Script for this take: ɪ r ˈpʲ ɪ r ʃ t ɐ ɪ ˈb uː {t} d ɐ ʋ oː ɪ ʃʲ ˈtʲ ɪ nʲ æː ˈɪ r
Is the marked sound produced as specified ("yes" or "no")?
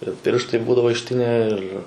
no